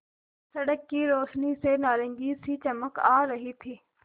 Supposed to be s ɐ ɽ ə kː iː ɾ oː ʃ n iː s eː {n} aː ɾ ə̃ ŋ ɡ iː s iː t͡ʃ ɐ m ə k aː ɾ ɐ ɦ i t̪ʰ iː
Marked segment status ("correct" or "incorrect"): correct